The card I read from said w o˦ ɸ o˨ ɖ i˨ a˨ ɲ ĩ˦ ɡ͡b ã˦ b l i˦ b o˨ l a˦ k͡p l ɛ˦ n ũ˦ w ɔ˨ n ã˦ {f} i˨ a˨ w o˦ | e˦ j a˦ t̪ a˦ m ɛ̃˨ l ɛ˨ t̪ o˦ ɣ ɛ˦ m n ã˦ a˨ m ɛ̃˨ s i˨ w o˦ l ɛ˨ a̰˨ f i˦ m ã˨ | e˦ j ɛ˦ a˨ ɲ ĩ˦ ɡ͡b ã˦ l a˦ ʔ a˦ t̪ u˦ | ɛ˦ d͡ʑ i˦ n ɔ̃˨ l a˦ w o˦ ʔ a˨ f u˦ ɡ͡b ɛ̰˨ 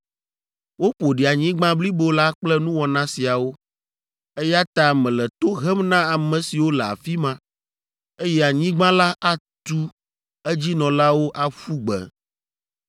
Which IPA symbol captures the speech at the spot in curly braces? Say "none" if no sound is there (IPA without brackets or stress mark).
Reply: s